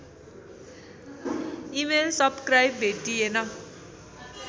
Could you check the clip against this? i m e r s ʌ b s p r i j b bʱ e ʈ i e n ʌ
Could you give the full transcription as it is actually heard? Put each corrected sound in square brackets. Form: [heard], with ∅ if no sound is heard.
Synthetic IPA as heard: i m e [l] s ʌ b s [k] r [a] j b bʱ e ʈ i e n ʌ

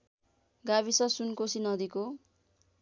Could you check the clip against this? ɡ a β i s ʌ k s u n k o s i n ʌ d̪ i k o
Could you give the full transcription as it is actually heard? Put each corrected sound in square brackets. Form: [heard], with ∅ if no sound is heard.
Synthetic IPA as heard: ɡ a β i s ʌ [∅] s u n k o s i n ʌ d̪ i k o

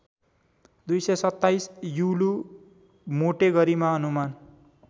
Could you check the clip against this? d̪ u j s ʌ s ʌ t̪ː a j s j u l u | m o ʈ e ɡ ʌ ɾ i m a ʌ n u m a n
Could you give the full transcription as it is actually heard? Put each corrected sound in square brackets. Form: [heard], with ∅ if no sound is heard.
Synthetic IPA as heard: d̪ u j s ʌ s ʌ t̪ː a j s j u l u | m o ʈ e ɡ ʌ ɾ i m a ʌ n u m a n

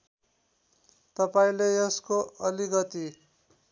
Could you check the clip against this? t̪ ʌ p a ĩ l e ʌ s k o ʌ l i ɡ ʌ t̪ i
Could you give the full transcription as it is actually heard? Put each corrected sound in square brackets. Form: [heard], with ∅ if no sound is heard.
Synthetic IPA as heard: t̪ ʌ p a ĩ l e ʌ s k o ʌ l i ɡ ʌ t̪ i

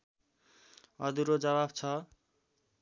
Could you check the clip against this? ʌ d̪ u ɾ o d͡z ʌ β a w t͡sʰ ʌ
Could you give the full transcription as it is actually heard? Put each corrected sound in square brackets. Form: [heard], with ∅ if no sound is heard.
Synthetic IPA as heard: ʌ d̪ u ɾ o d͡z ʌ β a [b] t͡sʰ ʌ

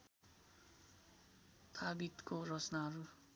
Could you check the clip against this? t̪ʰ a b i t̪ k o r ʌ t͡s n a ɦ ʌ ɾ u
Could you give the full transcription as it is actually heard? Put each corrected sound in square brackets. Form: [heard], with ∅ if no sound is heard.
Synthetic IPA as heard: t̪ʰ a b i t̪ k o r ʌ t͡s n a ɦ ʌ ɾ u

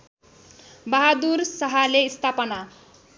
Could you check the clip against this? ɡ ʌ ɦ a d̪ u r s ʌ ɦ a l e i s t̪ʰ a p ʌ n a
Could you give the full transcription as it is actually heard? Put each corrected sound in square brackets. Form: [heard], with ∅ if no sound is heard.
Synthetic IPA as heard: [b] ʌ ɦ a d̪ u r s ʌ ɦ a l e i s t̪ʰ a p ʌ n a

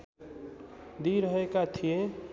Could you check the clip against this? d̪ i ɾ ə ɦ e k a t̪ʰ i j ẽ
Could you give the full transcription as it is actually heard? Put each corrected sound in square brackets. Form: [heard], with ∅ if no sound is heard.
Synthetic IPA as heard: d̪ i ɾ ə ɦ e k a t̪ʰ i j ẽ

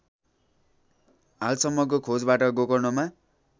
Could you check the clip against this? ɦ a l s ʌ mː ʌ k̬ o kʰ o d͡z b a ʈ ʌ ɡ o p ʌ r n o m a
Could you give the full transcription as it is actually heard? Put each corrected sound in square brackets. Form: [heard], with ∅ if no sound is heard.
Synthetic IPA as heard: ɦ a l s ʌ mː ʌ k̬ o kʰ o d͡z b a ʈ ʌ ɡ o [k] ʌ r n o m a

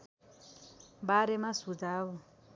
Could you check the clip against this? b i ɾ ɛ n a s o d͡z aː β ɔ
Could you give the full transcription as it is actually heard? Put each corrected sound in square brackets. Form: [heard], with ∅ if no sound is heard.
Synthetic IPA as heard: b [a] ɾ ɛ [m] a s [u] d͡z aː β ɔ

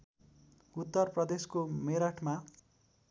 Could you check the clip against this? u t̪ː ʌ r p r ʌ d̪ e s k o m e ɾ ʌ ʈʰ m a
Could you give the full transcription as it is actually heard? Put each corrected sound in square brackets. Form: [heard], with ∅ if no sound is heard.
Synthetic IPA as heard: u t̪ː ʌ r p r ʌ d̪ e s k o m e ɾ [a] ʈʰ m a

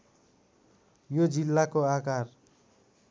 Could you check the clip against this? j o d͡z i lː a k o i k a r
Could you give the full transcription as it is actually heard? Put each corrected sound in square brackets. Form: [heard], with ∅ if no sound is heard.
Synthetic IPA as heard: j o d͡z i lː a k o [a] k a r

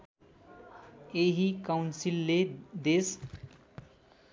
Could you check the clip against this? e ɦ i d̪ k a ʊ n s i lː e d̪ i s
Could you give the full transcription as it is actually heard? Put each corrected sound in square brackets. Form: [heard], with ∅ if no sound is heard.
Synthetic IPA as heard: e ɦ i [∅] k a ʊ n s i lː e d̪ [e] s

